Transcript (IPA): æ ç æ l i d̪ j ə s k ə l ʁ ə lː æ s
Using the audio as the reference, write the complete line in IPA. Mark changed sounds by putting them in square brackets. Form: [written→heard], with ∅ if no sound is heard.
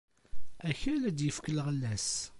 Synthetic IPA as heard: æ ç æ l [i→æ] d̪ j ə [s→f] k ə l ʁ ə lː æ s

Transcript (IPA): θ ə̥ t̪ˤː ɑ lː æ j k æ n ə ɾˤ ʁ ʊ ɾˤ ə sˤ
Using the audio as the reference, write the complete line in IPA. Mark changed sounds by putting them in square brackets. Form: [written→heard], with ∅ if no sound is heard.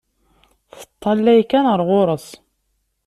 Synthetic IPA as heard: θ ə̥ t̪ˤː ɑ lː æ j k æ n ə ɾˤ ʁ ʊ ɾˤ ə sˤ

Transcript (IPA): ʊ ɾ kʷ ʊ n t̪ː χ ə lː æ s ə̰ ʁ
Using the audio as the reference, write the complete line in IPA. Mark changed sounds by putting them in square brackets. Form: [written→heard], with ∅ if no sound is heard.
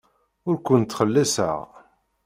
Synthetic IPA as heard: ʊ ɾ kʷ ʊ n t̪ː χ ə lː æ s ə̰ ʁ

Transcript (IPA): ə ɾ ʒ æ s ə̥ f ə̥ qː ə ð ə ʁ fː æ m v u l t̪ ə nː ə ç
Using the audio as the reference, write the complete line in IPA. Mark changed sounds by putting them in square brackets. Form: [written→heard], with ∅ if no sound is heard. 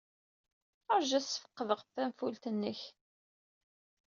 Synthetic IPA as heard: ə ɾ ʒ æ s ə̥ f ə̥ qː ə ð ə ʁ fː æ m [v→f] u l t̪ ə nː ə ç

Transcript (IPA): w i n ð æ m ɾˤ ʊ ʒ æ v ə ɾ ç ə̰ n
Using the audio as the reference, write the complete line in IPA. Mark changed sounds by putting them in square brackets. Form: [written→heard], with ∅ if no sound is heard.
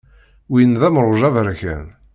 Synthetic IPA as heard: w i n ð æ m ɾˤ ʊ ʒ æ v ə ɾ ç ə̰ n

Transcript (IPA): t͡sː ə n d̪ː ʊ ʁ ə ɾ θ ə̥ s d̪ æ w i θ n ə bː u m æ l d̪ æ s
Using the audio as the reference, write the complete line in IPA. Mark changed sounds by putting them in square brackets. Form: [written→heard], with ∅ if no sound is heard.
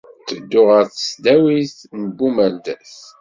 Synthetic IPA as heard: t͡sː ə [n→∅] d̪ː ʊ ʁ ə ɾ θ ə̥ s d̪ æ w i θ n ə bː u m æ l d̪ æ s

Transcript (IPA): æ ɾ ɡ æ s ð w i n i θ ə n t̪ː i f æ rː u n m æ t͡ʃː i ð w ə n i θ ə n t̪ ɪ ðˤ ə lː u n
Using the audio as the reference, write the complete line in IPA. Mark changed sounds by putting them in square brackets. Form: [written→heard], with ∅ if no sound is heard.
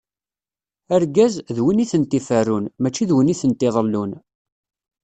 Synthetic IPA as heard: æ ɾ ɡ æ [s→z] ð w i n i θ ə n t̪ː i f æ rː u n m æ t͡ʃː i ð w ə n i θ ə n t̪ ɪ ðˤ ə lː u n

